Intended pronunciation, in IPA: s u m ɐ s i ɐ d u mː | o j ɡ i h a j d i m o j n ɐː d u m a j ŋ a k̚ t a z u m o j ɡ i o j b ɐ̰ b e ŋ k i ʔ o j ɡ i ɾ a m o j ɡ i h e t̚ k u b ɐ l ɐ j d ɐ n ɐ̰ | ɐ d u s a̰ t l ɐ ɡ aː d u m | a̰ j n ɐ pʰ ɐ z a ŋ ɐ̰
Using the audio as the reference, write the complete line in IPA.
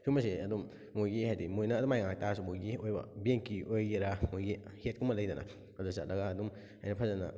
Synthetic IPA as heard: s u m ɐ s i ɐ d u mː | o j ɡ i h a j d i m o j n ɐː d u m a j ŋ a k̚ t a s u m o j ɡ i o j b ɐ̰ b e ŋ k i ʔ o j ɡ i ɾ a m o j ɡ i h e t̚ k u m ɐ l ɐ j d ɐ n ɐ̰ | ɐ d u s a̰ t l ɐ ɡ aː d u m | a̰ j n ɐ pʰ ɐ z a n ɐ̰

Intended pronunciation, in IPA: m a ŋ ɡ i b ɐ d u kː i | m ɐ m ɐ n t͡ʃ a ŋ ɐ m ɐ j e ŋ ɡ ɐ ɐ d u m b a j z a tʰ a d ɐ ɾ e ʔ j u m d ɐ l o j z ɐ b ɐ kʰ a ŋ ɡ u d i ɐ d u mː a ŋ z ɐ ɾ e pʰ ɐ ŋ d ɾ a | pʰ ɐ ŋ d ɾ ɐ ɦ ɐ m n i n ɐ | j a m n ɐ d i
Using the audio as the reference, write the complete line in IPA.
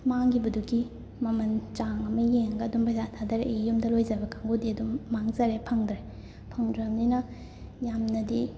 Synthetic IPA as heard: m a ŋ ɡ i b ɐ d u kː i | m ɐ m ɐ n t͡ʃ a ŋ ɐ m ɐ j e ŋ ɡ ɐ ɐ d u m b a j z a tʰ a d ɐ ɾ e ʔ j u m d ɐ l o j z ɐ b ɐ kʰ a ŋ ɡ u d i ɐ d u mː a ŋ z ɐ ɾ e pʰ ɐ ŋ d ɾ e | pʰ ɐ ŋ d ɾ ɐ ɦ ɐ m n i n ɐ | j a m n ɐ d i

